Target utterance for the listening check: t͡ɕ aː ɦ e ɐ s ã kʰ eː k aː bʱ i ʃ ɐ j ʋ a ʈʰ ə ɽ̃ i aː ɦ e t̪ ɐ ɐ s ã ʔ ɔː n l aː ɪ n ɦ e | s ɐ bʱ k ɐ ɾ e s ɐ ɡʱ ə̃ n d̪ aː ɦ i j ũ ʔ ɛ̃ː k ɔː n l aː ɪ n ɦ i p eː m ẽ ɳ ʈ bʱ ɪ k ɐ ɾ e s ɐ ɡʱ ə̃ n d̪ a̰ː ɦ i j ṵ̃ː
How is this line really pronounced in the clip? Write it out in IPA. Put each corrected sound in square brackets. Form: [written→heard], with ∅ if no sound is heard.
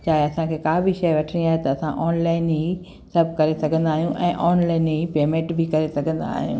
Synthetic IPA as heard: t͡ɕ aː ɦ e ɐ s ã kʰ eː k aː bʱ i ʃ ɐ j ʋ [a→ɐ] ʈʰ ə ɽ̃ i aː ɦ e t̪ ɐ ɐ s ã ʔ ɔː n l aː ɪ n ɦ [e→i] | s ɐ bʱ k ɐ ɾ e s ɐ ɡʱ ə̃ n d̪ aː ɦ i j ũ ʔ ɛ̃ː [k→ʔ] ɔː n l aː ɪ n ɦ i p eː m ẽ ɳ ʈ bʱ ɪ k ɐ ɾ e s ɐ ɡʱ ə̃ n d̪ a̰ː ɦ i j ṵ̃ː